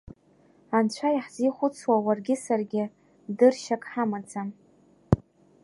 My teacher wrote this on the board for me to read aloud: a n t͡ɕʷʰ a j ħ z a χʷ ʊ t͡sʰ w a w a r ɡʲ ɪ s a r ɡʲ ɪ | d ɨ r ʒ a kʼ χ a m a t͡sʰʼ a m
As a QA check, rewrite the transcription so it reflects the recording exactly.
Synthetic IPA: a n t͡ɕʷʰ a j ħ z i χʷ ʊ t͡sʰ w a w a r ɡʲ ɪ s a r ɡʲ ɪ | d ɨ r ʃ a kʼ ħ a m a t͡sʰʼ a m